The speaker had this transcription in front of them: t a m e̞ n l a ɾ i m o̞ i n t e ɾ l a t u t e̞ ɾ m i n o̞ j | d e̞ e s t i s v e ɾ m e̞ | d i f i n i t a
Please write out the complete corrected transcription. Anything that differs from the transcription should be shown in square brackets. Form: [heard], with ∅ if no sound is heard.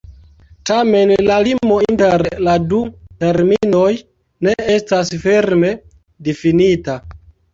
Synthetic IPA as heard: t a m e̞ n l a [l] i m o̞ i n t e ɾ l a [d] u t e̞ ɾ m i n o̞ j | [n] e̞ e s t [a] s [f] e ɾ m e̞ | d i f i n i t a

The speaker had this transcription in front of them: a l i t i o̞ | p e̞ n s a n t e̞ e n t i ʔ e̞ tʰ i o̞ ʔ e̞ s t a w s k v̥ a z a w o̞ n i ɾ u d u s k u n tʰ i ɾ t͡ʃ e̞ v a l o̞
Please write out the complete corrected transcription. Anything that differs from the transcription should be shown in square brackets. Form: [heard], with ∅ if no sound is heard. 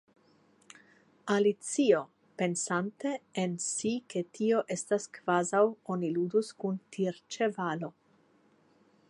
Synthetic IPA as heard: a l i [t͡s] i o̞ | p e̞ n s a n t e̞ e n [s] i [k] e̞ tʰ i o̞ ʔ e̞ s t a [∅] s k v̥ a z a w o̞ n i [l] u d u s k u n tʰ i ɾ t͡ʃ e̞ v a l o̞

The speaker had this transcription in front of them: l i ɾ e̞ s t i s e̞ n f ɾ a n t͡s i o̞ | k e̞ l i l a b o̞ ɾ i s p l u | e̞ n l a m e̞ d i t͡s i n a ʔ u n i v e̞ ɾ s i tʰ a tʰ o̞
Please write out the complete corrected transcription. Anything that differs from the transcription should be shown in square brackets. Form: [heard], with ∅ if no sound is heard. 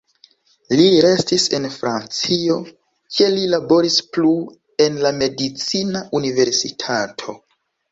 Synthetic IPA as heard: l i ɾ e̞ s t i s e̞ n f ɾ a n t͡s i o̞ | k e̞ l i l a b o̞ ɾ i s p l u | e̞ n l a m e̞ d i t͡s i n a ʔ u n i v e̞ ɾ s i tʰ a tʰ o̞

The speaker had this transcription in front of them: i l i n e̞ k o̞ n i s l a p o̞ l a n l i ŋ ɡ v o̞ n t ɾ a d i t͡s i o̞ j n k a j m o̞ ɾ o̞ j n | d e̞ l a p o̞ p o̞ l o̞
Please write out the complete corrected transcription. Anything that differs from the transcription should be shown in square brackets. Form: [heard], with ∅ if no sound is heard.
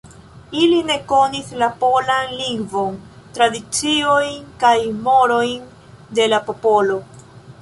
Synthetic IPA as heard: i l i n e̞ k o̞ n i s l a p o̞ l a n l i ŋ ɡ v o̞ n t ɾ a d i t͡s i o̞ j n k a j m o̞ ɾ o̞ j n | d e̞ l a p o̞ p o̞ l o̞

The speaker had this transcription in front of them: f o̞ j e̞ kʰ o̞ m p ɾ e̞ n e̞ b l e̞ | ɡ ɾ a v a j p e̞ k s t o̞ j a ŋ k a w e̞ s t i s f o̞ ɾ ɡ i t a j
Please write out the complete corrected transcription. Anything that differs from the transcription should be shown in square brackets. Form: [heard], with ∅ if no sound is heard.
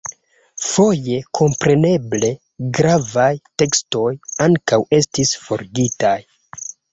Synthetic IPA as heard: f o̞ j e̞ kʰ o̞ m p ɾ e̞ n e̞ b l e̞ | ɡ ɾ a v a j [t] e̞ k s t o̞ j a ŋ k a w e̞ s t i s f o̞ ɾ ɡ i t a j

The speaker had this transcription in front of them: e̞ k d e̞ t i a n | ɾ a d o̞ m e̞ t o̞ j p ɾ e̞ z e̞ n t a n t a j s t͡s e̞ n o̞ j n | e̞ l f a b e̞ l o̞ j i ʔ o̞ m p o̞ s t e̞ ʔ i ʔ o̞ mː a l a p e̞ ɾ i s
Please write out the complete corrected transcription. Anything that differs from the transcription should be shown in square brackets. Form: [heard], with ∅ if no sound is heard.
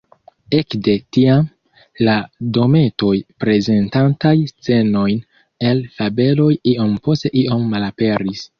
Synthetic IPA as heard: e̞ k d e̞ t i a [m] | [l] a d o̞ m e̞ t o̞ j p ɾ e̞ z e̞ n t a n t a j s t͡s e̞ n o̞ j n | e̞ l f a b e̞ l o̞ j i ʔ o̞ m p o̞ s t e̞ ʔ i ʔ o̞ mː a l a p e̞ ɾ i s

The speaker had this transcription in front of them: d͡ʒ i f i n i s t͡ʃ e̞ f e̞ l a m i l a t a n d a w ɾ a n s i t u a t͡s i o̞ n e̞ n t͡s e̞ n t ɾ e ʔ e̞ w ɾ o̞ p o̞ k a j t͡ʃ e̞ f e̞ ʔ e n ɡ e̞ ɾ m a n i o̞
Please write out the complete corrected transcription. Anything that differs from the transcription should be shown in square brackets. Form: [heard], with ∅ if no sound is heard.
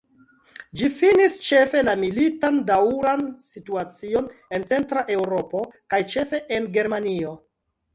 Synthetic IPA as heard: d͡ʒ i f i n i s t͡ʃ e̞ f e̞ l a m i l [i] t a n d a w ɾ a n s i t u a t͡s i o̞ n e̞ n t͡s e̞ n t ɾ [a] ʔ e̞ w ɾ o̞ p o̞ k a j t͡ʃ e̞ f e̞ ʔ e n ɡ e̞ ɾ m a n i o̞

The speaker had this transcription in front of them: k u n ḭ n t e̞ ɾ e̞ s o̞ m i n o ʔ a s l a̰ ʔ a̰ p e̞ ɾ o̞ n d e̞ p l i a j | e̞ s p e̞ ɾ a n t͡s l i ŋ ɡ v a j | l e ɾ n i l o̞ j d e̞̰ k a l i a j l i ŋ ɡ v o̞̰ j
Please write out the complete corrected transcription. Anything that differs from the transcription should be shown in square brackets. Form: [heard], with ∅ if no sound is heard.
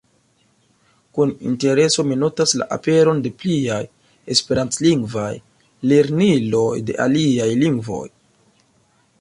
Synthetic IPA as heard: k u n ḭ n t e̞ ɾ e̞ s o̞ m i n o [t] a s l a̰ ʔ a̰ p e̞ ɾ o̞ n d e̞ p l i a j | e̞ s p e̞ ɾ a n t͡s l i ŋ ɡ v a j | l e ɾ n i l o̞ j d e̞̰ [ʔ] a l i a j l i ŋ ɡ v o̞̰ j

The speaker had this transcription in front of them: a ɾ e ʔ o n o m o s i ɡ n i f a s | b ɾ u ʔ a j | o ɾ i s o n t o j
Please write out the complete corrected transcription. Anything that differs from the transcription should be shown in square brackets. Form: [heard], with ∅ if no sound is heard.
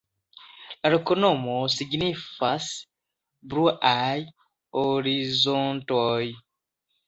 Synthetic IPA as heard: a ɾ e [k] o n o m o s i ɡ n i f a s | b ɾ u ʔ a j | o ɾ i [z] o n t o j

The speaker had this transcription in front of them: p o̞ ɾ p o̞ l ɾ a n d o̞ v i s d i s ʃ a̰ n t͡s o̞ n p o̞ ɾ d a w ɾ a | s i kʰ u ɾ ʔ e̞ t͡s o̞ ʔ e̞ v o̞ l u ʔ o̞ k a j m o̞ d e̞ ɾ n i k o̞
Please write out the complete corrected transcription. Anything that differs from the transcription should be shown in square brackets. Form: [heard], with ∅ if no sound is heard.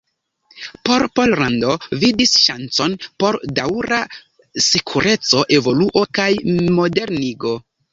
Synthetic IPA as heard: p o̞ ɾ p o̞ l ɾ a n d o̞ v i [∅] d i s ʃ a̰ n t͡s o̞ n p o̞ ɾ d a w ɾ a | s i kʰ u ɾ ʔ e̞ t͡s o̞ ʔ e̞ v o̞ l u ʔ o̞ k a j m o̞ d e̞ ɾ n i [ɡ] o̞

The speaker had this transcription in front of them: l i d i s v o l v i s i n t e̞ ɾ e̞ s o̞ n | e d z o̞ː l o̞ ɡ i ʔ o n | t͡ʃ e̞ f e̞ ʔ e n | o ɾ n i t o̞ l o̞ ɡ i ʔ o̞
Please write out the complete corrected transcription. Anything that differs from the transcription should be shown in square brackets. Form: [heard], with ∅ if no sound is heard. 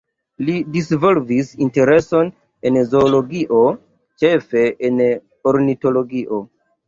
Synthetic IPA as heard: l i d i s v o l v i s i n t e̞ ɾ e̞ s o̞ n | e [n] z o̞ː l o̞ ɡ i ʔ o [∅] | t͡ʃ e̞ f e̞ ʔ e n | o ɾ n i t o̞ l o̞ ɡ i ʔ o̞

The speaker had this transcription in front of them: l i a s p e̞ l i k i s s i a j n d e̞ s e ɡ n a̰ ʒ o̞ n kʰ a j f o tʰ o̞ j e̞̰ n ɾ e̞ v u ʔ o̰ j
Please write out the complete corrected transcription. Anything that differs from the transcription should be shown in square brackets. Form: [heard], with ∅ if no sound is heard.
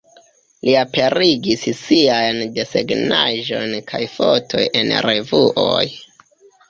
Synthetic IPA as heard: l i a [∅] p e̞ [ɾ] i [ɡ] i s s i a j n d e̞ s e ɡ n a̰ ʒ o̞ n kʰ a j f o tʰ o̞ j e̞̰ n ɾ e̞ v u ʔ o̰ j

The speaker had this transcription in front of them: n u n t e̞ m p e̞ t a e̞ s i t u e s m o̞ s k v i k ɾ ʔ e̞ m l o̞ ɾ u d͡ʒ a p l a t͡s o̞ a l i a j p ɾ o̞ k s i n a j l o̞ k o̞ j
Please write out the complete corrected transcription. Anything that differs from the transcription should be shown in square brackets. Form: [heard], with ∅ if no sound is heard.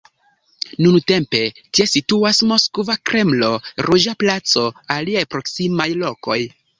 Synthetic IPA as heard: n u n t e̞ m p e̞ t [i] e̞ s i t u [a] s m o̞ s k v [a] k ɾ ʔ e̞ m l o̞ ɾ u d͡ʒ a p l a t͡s o̞ a l i a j p ɾ o̞ k s i [m] a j l o̞ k o̞ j

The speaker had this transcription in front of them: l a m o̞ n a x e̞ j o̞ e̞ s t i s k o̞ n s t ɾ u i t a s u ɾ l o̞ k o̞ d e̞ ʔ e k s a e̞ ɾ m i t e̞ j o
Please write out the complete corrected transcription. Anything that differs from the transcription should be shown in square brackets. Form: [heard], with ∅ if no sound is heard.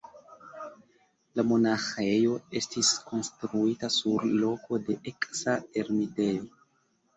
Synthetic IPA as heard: l a m o̞ n a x e̞ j o̞ e̞ s t i s k o̞ n s t ɾ u i t a s u ɾ l o̞ k o̞ d e̞ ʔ e k s a e̞ ɾ m i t e̞ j o

